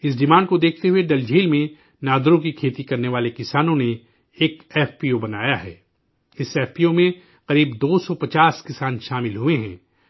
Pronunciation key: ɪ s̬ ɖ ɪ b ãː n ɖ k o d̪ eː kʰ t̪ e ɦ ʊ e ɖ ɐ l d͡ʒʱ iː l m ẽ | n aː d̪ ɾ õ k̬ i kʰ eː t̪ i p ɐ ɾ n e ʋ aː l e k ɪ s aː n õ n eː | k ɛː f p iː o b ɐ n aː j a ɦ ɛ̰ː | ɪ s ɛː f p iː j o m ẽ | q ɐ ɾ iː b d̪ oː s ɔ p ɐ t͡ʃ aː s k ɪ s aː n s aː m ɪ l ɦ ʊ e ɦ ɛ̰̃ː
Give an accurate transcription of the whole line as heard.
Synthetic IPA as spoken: ɪ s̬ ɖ ɪ m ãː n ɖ k o d̪ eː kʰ t̪ e ɦ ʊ e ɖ ɐ l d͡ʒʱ iː l m ẽ | n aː d̪ ɾ õ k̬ i kʰ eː t̪ i k ɐ ɾ n e ʋ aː l e k ɪ s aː n õ n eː | k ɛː f p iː o b ɐ n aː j a ɦ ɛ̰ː | ɪ s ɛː f p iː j o m ẽ | q ɐ ɾ iː b d̪ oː s ɔ p ɐ t͡ʃ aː s k ɪ s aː n ʃ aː m ɪ l ɦ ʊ e ɦ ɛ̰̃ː